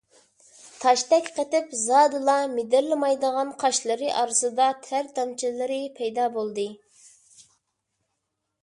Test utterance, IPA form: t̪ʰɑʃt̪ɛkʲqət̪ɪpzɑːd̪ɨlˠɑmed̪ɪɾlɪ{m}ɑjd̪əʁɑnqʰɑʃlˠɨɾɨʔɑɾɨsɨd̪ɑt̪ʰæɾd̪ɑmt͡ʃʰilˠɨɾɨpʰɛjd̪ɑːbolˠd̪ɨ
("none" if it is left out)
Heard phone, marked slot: m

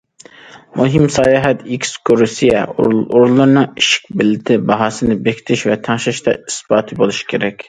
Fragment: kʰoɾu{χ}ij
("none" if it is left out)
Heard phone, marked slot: s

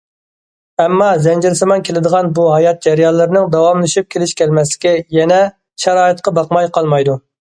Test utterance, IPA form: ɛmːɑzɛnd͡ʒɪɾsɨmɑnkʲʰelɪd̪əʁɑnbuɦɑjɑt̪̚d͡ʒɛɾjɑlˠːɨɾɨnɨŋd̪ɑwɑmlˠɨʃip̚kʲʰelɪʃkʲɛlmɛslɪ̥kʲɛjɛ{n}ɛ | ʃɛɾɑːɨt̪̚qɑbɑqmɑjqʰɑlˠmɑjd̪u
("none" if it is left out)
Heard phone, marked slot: n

